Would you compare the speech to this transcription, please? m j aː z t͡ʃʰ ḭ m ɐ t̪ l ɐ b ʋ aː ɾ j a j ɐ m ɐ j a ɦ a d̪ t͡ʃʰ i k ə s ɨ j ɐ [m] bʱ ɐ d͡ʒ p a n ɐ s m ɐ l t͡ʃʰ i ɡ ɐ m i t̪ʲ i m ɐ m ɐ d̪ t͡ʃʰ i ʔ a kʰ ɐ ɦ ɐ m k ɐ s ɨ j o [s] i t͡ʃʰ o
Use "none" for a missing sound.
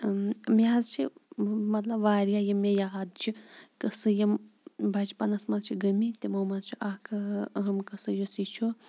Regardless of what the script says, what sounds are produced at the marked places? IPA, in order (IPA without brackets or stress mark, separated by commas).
m, s